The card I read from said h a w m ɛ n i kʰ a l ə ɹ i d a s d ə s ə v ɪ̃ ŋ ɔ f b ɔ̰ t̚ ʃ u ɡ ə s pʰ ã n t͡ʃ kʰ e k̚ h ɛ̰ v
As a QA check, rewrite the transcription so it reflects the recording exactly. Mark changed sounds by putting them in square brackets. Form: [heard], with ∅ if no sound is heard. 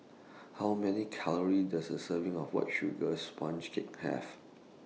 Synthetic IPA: h a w m ɛ n i kʰ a l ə ɹ i d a s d ə s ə v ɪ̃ ŋ ɔ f [w] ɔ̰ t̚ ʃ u ɡ ə s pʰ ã n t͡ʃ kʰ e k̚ h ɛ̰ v